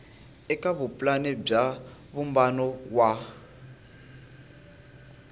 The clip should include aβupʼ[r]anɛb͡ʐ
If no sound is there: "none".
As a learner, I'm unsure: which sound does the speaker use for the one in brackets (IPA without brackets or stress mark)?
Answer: l